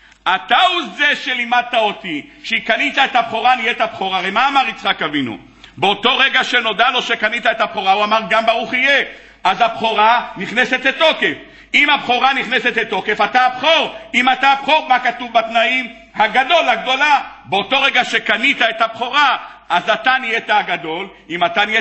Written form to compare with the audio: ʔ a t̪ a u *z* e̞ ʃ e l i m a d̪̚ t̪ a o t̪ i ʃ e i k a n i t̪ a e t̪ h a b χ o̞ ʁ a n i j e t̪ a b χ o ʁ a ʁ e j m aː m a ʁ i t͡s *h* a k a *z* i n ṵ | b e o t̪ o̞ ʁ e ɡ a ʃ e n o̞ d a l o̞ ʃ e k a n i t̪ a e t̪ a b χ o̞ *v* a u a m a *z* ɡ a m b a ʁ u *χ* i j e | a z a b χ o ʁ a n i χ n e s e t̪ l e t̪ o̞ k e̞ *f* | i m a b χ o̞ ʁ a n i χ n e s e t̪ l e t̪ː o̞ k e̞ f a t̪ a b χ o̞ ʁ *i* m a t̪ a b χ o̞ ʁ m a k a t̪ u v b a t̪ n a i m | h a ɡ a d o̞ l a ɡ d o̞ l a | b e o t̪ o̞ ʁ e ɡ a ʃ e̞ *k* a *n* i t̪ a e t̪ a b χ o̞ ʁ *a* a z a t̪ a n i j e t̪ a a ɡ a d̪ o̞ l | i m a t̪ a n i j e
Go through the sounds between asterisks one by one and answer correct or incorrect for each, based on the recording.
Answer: correct, incorrect, incorrect, incorrect, incorrect, correct, correct, correct, correct, correct, correct

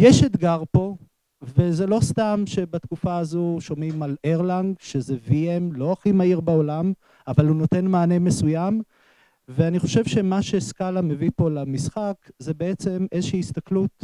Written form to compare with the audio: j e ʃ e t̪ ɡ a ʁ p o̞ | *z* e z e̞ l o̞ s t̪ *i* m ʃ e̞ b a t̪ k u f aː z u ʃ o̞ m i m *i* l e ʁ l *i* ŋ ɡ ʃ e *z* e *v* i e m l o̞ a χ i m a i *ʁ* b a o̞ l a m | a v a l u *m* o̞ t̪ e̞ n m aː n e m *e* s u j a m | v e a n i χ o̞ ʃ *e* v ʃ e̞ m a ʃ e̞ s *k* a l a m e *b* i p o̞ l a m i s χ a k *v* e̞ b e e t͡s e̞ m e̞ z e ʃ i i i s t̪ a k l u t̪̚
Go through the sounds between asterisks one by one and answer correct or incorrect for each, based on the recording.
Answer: incorrect, incorrect, incorrect, incorrect, correct, correct, correct, incorrect, correct, correct, correct, incorrect, incorrect

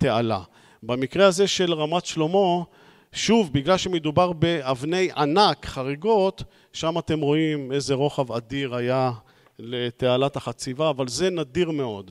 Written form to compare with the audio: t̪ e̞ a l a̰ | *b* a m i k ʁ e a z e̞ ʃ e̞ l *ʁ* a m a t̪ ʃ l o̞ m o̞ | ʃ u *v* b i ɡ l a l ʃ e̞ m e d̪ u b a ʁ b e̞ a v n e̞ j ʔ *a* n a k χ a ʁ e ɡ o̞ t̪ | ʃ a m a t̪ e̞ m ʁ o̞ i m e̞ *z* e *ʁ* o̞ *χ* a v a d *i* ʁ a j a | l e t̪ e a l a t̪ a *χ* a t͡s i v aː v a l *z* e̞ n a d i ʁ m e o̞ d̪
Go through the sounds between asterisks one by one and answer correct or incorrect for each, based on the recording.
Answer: correct, correct, correct, correct, correct, correct, correct, correct, correct, correct

